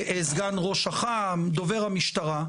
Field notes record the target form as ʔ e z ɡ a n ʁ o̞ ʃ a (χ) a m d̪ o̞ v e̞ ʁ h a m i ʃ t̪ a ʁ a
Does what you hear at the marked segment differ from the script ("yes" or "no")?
no